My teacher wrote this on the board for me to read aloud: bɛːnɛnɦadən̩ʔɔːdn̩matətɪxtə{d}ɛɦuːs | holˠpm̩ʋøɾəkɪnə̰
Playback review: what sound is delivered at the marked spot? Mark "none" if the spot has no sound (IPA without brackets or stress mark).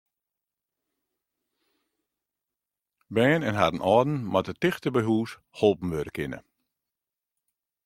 b